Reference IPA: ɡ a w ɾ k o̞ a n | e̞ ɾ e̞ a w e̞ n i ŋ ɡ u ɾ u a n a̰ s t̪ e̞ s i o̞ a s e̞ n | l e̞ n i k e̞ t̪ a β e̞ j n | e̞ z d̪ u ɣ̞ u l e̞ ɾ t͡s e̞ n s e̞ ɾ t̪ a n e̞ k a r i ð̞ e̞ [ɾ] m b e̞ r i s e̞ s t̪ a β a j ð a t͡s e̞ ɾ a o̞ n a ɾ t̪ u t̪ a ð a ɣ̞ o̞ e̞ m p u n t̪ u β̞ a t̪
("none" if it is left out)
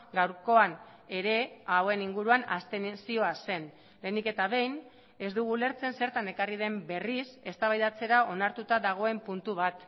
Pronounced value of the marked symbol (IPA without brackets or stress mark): none